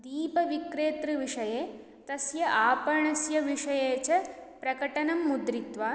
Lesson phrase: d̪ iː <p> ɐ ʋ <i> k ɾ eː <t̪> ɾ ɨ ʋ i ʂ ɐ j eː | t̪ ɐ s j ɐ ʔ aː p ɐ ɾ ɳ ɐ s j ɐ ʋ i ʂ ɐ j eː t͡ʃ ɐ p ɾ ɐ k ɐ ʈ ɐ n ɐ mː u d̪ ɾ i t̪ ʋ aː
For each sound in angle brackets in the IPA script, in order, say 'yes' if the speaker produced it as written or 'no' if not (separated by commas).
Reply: yes, yes, yes